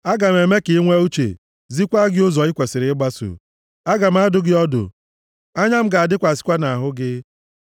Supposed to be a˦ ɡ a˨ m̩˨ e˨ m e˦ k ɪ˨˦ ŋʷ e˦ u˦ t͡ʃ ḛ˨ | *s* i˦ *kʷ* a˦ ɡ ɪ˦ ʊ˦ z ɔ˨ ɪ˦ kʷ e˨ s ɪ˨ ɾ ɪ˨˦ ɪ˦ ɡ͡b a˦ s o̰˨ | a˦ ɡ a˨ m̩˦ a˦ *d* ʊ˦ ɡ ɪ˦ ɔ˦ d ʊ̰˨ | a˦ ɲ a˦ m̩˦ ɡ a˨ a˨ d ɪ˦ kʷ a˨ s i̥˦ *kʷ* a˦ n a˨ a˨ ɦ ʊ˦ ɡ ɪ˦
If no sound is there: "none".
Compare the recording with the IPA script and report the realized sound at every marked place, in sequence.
z, kʷ, d, kʷ

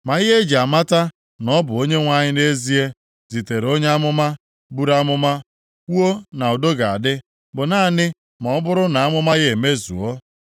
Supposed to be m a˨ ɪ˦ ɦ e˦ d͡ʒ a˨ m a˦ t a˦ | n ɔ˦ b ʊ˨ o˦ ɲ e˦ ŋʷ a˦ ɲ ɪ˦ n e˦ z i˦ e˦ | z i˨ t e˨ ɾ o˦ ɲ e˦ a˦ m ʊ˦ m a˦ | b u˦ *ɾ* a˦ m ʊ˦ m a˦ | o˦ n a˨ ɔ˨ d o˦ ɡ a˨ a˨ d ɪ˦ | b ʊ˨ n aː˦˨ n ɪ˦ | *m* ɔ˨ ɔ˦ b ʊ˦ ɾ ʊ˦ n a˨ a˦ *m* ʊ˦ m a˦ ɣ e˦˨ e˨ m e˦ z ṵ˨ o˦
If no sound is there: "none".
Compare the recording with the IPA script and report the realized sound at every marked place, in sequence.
ɾ, m, m

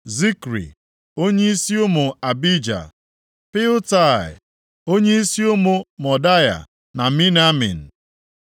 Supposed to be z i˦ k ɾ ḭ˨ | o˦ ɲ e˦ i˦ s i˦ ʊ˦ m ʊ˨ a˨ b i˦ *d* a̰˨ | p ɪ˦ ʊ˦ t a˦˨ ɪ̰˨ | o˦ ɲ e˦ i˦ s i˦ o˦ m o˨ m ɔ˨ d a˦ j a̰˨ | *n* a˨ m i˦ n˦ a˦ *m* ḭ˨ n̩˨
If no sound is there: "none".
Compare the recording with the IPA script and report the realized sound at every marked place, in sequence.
d͡ʒ, n, m

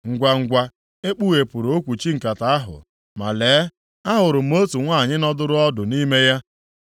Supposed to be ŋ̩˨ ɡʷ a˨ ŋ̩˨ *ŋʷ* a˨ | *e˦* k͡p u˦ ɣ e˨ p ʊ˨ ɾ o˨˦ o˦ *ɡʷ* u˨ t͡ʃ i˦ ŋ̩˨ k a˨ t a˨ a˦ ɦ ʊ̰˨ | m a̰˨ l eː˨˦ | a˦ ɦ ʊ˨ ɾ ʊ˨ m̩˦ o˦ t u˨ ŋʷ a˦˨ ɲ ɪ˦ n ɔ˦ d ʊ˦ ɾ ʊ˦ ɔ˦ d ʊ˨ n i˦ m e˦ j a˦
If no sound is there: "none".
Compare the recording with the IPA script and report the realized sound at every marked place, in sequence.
ɡʷ, e˦, kʷ

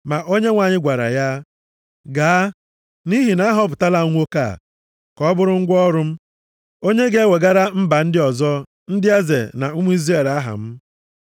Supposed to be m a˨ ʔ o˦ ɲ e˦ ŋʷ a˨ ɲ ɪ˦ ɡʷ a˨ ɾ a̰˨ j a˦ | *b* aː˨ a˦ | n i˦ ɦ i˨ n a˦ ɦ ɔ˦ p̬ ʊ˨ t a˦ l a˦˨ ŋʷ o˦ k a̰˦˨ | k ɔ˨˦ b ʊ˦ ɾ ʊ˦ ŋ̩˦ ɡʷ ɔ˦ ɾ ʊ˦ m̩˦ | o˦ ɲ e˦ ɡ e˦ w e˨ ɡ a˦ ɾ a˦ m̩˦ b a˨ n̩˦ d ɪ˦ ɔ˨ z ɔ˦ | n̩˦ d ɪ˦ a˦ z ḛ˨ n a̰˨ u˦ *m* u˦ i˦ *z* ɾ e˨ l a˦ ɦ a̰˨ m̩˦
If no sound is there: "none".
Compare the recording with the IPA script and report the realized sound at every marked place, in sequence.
ɡ, m, z

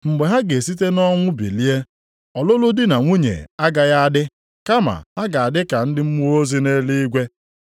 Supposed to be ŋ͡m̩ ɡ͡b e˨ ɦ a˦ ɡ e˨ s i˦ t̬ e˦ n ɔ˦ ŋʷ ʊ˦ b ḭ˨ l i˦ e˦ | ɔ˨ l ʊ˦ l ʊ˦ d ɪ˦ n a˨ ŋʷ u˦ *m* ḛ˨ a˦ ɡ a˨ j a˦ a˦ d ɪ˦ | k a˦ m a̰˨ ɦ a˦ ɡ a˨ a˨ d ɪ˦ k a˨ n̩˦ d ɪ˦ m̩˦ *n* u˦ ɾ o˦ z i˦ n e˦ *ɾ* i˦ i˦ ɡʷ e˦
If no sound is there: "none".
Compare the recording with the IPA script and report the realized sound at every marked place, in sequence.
ɲ, m, l

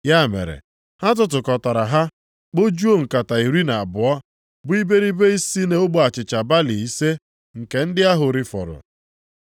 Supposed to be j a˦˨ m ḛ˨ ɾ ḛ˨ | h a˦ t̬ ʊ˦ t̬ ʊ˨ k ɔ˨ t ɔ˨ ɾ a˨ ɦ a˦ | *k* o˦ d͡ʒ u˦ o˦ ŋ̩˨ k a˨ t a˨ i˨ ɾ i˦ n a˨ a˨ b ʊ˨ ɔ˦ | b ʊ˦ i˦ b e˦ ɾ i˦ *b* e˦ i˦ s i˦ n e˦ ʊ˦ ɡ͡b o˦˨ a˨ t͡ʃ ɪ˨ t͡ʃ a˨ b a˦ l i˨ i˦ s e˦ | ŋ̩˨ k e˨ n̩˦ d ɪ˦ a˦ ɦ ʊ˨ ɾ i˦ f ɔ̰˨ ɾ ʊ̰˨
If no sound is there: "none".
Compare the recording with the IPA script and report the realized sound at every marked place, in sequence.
k͡p, b

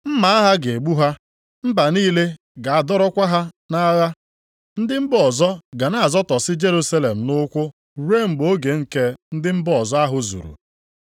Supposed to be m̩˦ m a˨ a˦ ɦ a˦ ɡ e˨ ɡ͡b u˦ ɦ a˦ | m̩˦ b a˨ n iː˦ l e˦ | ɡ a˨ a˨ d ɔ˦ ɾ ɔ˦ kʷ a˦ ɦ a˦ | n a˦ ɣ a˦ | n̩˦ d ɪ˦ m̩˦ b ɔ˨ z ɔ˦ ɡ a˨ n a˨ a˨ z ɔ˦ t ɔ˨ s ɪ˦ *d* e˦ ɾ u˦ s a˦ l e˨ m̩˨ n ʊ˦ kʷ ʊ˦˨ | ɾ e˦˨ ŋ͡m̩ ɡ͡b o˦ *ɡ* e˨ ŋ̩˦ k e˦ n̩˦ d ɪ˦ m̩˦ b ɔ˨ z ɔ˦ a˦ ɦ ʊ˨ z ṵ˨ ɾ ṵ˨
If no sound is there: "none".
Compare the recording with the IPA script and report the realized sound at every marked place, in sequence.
d͡ʒ, ɡ

